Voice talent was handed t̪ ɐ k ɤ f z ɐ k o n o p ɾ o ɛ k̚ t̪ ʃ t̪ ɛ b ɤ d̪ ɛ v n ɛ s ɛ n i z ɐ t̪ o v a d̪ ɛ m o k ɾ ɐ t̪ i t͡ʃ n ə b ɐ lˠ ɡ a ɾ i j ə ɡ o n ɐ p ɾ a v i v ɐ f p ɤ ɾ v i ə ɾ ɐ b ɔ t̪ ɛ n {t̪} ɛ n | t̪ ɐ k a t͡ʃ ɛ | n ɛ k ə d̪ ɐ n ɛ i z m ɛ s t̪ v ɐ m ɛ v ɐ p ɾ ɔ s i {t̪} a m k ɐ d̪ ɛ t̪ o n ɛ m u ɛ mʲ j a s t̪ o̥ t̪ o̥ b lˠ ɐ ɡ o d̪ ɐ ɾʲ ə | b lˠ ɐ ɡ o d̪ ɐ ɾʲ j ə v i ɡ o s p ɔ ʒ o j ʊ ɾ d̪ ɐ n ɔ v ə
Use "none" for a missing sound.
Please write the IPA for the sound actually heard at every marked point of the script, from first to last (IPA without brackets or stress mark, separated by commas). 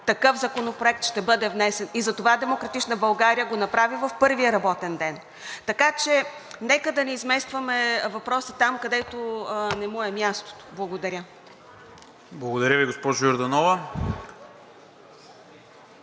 d̪, t̪